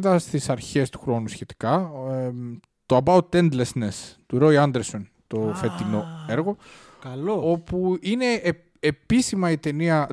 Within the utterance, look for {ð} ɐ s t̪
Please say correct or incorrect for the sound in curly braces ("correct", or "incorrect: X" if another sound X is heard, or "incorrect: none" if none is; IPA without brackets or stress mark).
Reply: correct